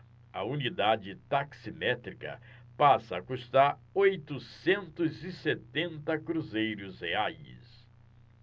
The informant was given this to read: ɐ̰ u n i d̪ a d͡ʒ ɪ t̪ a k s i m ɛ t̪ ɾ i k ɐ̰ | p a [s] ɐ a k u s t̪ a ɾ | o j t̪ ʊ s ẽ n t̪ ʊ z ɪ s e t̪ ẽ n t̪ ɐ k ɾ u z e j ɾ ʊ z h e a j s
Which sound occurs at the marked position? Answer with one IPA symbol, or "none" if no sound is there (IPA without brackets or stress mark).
s